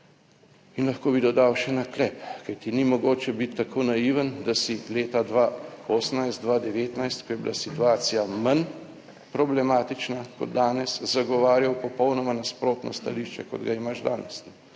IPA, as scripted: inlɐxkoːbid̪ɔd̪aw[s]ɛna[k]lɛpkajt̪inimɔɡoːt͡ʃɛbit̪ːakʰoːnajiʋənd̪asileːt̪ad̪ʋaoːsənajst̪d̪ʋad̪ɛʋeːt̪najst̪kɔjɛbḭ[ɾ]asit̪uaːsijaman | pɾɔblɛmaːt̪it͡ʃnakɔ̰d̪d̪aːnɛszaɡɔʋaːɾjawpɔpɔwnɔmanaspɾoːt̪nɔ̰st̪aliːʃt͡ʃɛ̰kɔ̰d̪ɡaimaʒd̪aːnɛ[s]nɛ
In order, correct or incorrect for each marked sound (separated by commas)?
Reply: incorrect, correct, incorrect, correct